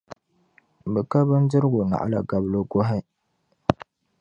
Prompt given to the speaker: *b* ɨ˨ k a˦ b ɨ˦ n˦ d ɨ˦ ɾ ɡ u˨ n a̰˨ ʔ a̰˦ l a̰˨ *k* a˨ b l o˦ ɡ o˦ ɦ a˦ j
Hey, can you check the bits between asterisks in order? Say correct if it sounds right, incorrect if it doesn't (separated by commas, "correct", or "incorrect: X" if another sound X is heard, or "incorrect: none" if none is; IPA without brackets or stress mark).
correct, incorrect: ɡ